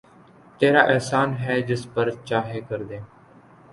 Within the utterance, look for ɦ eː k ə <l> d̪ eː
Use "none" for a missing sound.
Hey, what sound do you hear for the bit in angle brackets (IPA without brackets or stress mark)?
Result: ɾ